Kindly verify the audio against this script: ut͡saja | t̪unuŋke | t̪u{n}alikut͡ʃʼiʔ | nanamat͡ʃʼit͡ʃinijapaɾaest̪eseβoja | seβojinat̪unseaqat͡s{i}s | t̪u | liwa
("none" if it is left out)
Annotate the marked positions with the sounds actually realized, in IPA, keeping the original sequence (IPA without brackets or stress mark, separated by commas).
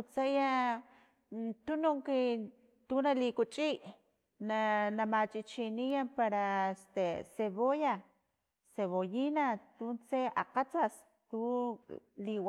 n, a